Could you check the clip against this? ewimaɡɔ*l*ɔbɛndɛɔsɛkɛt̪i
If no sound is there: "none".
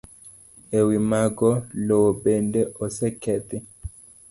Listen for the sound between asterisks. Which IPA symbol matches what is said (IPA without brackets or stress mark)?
l